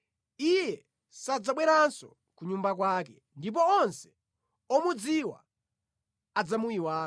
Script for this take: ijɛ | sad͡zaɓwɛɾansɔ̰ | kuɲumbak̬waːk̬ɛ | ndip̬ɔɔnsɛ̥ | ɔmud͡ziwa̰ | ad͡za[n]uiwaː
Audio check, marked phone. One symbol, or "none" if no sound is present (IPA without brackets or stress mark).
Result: m